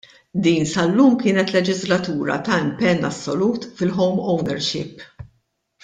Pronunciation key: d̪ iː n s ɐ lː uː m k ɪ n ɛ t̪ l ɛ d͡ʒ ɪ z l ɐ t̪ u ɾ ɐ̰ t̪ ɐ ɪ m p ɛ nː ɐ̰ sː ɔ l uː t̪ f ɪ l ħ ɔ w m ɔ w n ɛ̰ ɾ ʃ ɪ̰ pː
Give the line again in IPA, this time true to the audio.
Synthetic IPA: d̪ iː n s ɐ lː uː m k ɪː n ɛ t̪ l ɛ d͡ʒ ɪ z l ɐ t̪ uː ɾ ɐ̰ t̪ ɐ ɪ m p ɛ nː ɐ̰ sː ɔ l uː t̪ f ɪ l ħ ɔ w m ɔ w n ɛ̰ ɾ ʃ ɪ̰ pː